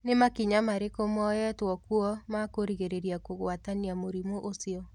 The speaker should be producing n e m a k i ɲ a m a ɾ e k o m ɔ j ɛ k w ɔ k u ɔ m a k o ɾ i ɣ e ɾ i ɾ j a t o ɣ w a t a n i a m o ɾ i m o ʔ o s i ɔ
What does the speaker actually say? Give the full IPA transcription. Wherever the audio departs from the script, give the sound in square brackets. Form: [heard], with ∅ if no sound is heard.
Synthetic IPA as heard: n e m a k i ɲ a m a ɾ e k o m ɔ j ɛ [t] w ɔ k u ɔ m a k o ɾ i ɣ e ɾ [e] ɾ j a [k] o ɣ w a t a n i a m o ɾ i m o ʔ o s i ɔ